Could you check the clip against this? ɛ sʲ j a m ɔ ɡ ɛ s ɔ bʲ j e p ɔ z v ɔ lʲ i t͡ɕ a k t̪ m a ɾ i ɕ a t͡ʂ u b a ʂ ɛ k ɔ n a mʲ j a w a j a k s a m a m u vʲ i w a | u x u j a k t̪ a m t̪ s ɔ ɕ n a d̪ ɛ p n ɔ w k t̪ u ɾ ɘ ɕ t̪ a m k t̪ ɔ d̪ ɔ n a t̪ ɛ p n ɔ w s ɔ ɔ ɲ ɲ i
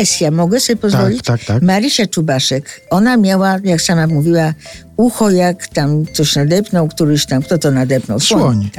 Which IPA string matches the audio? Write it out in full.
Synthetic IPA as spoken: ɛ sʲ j a m ɔ ɡ ɛ s ɔ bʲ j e p ɔ z v ɔ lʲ i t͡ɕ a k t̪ m a ɾ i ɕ a t͡ʂ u b a ʂ ɛ k ɔ n a mʲ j a w a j a k s a m a m u vʲ i w a | u x ɔ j a k t̪ a m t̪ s ɔ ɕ n a d̪ ɛ p n ɔ w k t̪ u ɾ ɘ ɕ t̪ a m k t̪ ɔ t̪ ɔ n a d̪ ɛ p n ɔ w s ɔ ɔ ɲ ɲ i